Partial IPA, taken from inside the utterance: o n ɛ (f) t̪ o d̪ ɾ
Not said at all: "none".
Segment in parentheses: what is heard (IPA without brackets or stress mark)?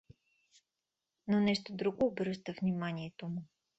ʃ